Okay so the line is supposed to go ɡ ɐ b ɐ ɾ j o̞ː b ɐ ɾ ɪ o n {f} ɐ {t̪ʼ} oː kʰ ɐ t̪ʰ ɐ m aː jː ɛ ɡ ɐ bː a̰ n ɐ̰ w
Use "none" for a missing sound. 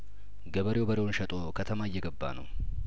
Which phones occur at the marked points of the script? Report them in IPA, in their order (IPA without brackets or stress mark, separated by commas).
ʃ, t̪ʼ